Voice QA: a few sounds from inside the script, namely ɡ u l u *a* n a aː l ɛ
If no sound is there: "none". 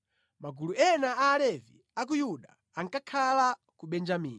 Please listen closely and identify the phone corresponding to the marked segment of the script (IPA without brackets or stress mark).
ɛ